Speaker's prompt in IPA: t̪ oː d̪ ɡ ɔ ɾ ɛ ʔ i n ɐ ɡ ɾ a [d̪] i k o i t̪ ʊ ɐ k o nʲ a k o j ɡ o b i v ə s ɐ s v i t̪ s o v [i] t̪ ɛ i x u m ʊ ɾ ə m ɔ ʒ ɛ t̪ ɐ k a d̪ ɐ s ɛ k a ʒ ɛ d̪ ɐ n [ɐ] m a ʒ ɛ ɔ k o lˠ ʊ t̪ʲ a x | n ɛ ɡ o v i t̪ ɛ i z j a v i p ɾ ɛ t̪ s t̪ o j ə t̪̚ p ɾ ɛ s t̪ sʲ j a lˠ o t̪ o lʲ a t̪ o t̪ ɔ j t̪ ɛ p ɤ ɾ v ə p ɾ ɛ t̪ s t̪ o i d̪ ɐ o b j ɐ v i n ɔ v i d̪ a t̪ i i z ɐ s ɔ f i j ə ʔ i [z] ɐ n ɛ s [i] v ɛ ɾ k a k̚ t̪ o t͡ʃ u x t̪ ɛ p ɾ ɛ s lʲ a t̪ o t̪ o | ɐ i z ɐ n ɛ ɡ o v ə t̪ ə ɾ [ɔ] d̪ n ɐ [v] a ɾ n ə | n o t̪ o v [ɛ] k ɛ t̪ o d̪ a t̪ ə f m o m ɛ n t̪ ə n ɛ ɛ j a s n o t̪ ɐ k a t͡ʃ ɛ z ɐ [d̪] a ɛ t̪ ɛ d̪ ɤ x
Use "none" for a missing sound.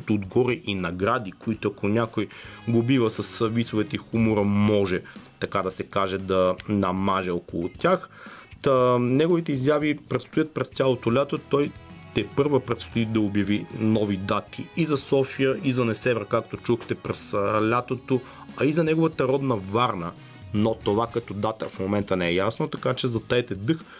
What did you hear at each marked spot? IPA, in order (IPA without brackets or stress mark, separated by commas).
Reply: d̪, ɛ, ɐ, z, ɛ, ɔ, v, a, t̪